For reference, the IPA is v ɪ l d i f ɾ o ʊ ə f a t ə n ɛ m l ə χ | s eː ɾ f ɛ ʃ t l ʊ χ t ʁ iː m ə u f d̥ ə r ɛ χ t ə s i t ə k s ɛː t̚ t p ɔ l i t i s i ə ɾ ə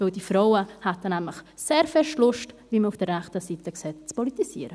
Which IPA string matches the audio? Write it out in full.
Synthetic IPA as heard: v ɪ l d i f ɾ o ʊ ə h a t ə n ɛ m l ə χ | s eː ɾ f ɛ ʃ t l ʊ ʃ t v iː m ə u f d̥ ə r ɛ χ t ə s i t ə k s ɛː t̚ t͡s p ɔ l i t i s i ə ɾ ə